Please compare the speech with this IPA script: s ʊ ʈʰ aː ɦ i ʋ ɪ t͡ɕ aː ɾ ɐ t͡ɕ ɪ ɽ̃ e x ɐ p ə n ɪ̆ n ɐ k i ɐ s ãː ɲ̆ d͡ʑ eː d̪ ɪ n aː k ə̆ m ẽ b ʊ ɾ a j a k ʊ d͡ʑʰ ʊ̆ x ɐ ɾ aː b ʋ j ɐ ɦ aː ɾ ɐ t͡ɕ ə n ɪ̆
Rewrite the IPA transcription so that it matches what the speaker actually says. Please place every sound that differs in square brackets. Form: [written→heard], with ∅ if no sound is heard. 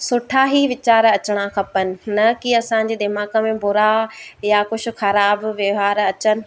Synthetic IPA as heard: s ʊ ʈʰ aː ɦ i ʋ ɪ t͡ɕ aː ɾ ɐ t͡ɕ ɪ ɽ̃ [e→a] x ɐ p ə n ɪ̆ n ɐ k i ɐ s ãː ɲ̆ d͡ʑ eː d̪ ɪ [n→m] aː k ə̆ m ẽ b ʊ ɾ a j a k ʊ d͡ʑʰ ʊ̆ x ɐ ɾ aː b ʋ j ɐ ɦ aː ɾ ɐ t͡ɕ ə n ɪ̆